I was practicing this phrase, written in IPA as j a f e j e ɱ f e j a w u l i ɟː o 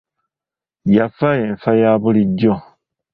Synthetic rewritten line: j a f a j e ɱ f a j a β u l i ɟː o